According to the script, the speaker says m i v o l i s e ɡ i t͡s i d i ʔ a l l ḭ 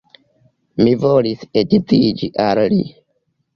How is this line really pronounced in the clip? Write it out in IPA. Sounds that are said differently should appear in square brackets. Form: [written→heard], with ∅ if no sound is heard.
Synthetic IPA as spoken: m i v o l i s e [ɡ→d] i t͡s i [d→d͡ʒ] i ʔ a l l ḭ